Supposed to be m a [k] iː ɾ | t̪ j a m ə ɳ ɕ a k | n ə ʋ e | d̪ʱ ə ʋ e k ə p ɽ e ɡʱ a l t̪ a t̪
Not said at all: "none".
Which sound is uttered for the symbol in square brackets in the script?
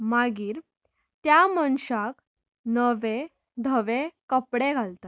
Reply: ɡ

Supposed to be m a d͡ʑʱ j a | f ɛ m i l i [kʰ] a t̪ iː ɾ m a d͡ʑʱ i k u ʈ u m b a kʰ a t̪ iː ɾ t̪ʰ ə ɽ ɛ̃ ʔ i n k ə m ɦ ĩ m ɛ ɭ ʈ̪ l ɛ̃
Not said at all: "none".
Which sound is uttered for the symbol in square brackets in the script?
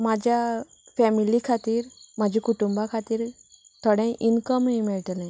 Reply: kʰ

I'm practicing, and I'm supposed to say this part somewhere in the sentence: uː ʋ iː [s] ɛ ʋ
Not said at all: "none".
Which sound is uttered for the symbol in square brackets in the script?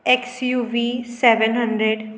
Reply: s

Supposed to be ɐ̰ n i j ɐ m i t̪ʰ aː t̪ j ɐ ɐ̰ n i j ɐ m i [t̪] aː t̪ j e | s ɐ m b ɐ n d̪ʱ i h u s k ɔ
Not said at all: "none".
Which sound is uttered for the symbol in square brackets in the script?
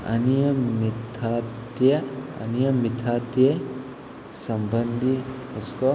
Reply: t̪ʰ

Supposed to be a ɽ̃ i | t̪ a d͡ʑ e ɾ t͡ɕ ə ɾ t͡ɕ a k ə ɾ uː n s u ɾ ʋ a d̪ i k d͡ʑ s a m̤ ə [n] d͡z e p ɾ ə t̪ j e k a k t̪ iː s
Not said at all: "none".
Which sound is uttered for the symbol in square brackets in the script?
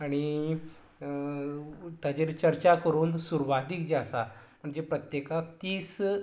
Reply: ɳ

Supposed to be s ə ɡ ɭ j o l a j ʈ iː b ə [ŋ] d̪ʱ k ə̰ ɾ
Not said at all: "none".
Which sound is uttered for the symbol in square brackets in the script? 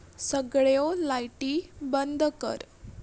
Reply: n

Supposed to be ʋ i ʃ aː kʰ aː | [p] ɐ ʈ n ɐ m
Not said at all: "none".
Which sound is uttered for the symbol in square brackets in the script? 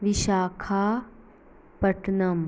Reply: p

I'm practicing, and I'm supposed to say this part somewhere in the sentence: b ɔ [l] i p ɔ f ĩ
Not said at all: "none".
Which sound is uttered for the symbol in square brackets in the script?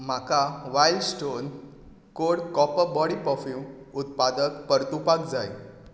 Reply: ɽ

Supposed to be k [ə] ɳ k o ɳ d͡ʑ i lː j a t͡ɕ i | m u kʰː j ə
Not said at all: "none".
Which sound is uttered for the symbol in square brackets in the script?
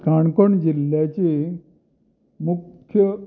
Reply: a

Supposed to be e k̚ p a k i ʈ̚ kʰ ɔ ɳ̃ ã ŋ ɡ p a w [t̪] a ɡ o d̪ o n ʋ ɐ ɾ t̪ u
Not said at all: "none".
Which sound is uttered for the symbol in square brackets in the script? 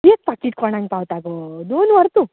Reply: t̪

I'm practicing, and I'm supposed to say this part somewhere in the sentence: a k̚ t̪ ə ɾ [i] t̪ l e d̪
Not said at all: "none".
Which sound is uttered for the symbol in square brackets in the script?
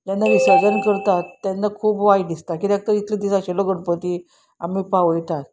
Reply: i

